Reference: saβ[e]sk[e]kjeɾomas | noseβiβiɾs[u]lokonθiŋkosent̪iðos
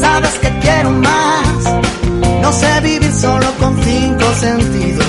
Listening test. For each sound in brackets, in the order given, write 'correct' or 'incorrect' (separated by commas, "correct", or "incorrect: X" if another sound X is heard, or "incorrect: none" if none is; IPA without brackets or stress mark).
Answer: correct, correct, incorrect: o